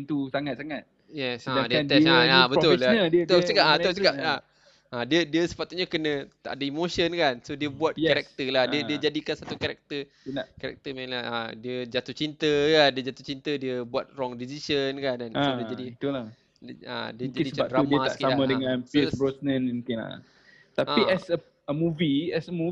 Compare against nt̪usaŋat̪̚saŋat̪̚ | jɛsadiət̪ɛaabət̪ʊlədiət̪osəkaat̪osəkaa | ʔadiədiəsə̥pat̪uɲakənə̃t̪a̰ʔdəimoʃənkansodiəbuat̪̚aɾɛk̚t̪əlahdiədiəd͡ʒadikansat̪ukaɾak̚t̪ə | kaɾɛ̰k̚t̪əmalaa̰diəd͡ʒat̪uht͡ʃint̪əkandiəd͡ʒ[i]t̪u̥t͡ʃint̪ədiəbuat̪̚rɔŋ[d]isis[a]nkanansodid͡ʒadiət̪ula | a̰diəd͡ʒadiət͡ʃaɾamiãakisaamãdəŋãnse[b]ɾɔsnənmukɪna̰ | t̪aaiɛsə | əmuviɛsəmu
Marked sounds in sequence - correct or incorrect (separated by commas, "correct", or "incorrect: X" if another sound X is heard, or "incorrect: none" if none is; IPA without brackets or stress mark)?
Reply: incorrect: a, correct, incorrect: ə, correct